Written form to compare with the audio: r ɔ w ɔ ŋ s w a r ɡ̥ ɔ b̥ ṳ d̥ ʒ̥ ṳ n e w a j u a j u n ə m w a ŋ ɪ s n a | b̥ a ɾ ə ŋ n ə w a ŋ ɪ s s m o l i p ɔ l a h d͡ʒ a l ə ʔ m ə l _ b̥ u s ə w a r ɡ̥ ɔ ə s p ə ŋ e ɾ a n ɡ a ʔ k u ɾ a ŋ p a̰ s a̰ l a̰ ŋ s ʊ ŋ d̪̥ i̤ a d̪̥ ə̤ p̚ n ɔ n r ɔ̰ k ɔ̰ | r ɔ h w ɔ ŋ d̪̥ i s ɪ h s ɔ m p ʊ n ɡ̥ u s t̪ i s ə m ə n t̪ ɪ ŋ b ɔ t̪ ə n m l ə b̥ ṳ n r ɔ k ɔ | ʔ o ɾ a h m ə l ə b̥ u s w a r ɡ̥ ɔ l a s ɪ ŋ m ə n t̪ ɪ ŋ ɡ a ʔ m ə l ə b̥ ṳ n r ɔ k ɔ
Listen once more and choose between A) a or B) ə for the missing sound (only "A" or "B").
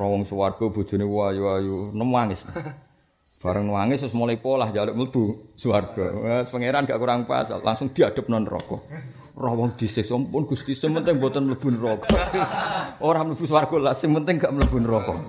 B